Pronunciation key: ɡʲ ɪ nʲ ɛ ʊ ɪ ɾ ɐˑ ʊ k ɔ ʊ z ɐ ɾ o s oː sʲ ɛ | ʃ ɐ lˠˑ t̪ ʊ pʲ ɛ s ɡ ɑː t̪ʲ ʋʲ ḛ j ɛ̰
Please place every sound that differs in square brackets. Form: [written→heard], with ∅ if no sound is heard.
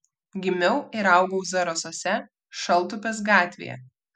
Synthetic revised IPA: ɡʲ ɪ [nʲ→mʲ] ɛ ʊ ɪ ɾ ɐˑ ʊ [k→ɡ] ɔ ʊ z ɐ ɾ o s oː sʲ ɛ | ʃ ɐ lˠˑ t̪ ʊ pʲ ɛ s ɡ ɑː t̪ʲ ʋʲ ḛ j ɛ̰